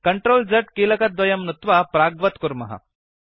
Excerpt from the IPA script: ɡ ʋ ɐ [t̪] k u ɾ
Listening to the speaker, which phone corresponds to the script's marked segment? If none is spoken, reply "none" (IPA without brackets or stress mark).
t̪